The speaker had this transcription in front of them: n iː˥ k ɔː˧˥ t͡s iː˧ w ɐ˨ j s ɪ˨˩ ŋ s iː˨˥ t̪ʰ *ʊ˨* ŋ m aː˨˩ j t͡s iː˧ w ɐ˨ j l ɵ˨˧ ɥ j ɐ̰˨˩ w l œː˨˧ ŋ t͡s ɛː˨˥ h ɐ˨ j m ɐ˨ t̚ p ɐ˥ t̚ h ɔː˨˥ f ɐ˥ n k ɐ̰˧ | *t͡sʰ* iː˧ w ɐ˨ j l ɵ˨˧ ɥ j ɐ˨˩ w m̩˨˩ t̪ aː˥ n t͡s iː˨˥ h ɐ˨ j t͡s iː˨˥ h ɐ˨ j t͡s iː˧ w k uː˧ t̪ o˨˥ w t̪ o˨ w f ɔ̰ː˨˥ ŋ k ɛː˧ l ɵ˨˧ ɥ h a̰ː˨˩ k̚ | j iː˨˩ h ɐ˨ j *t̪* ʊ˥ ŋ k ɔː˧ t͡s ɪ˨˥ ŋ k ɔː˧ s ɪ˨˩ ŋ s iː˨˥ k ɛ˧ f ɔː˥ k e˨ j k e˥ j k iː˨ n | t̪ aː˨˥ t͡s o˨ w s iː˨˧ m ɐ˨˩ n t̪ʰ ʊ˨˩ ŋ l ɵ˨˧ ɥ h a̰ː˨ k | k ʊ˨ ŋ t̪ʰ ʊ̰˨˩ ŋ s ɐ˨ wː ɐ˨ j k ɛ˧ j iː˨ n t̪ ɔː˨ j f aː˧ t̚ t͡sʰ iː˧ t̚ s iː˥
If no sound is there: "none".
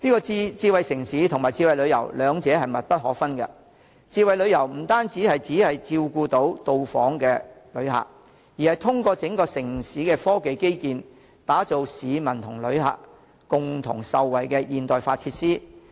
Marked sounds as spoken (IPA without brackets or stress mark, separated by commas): ʊ˨, t͡s, t̪ʰ